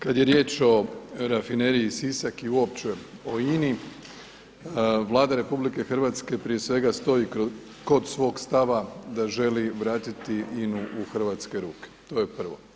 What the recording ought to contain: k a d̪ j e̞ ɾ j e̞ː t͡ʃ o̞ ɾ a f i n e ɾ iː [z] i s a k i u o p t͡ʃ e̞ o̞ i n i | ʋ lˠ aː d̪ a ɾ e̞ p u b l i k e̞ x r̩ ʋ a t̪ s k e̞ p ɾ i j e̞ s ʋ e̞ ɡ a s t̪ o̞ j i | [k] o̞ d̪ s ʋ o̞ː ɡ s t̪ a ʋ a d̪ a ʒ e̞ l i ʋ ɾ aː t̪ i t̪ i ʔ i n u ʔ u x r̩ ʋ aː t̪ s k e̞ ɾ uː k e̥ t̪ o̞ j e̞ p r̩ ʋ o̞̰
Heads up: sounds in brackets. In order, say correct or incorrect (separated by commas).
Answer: incorrect, correct